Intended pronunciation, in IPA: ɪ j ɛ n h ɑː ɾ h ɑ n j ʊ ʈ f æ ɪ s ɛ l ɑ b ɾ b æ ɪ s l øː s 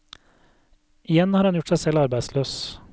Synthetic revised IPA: ɪ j ɛ n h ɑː ɾ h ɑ n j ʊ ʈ s æ ɪ s ɛ l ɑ ɾ b æ ɪ s l øː s